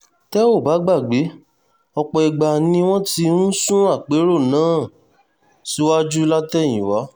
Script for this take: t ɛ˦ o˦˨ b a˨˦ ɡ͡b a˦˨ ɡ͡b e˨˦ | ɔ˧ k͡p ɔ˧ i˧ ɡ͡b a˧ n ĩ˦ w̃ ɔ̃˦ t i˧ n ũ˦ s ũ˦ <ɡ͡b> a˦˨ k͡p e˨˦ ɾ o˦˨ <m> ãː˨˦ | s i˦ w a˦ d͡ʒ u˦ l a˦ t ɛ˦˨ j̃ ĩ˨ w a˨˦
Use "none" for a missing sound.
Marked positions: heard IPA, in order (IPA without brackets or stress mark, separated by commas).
none, n